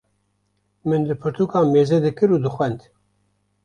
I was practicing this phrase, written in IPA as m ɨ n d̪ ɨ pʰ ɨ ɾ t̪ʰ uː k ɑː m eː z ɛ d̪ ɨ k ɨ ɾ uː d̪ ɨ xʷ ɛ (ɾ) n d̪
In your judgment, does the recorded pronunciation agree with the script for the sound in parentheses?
no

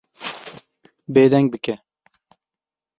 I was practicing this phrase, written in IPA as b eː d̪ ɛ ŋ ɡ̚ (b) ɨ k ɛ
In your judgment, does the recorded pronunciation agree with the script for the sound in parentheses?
yes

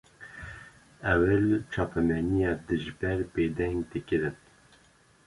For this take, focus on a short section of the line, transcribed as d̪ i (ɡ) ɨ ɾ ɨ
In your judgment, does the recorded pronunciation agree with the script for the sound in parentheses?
no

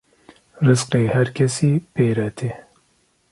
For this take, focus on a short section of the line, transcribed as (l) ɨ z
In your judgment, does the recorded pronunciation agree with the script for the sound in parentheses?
no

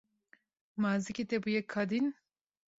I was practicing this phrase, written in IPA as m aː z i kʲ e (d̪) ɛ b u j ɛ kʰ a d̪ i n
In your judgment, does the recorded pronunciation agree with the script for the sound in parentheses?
no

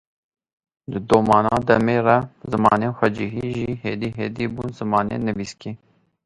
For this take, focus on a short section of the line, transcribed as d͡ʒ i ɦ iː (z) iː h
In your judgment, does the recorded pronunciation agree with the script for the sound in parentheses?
no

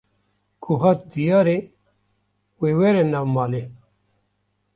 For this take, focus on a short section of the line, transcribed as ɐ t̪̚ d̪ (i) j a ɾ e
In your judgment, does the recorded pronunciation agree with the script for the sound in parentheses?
yes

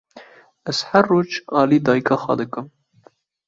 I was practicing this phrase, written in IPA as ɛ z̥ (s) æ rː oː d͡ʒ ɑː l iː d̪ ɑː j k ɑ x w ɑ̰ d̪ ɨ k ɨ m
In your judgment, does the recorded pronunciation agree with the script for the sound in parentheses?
no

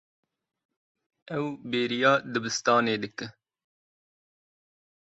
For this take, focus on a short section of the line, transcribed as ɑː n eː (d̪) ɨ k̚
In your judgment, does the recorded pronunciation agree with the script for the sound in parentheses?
yes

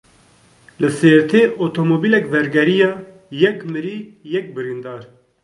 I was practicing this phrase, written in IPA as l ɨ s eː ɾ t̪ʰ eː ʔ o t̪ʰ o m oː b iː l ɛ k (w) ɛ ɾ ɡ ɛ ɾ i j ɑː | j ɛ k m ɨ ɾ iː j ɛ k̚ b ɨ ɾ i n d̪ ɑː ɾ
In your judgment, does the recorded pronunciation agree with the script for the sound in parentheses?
no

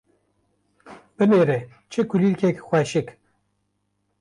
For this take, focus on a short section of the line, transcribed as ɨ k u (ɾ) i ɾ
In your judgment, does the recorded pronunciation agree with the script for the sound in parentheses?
no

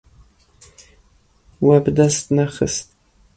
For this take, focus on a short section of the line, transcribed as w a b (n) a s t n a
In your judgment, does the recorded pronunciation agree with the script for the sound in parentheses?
no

